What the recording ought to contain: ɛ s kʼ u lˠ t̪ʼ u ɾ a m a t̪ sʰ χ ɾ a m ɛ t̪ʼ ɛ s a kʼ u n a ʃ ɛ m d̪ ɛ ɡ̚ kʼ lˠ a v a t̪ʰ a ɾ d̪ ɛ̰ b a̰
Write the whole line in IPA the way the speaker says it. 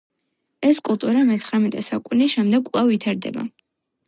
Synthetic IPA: ɛ s kʼ u lˠ t̪ʼ u ɾ a m ɛ t̪ sʰ χ ɾ a m ɛ t̪ʼ ɛ s a kʼ u n i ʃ ɛ m d̪ ɛ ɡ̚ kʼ lˠ a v i t̪ʰ a ɾ d̪ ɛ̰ b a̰